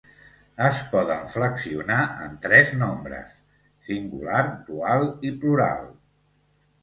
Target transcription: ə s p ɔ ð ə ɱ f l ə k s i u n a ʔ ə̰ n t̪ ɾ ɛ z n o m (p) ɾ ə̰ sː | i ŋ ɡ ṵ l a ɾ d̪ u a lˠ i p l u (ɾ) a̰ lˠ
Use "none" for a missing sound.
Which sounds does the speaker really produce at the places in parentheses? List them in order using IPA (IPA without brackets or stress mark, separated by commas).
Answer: b, ɾ